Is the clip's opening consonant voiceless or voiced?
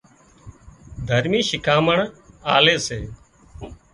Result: voiced